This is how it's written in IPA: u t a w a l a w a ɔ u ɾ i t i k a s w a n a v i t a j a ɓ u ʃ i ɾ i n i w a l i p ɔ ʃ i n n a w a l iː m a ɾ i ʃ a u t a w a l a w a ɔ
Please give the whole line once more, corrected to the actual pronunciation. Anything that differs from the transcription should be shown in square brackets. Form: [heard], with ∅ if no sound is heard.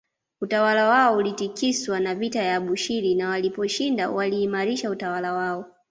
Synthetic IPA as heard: u t a w a l a w a ɔ u [l] i t i k [i] s w a n a v i t a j a ɓ u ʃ i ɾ i n [a] w a l i p ɔ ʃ i n [d] a w a l iː m a ɾ i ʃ a u t a w a l a w a ɔ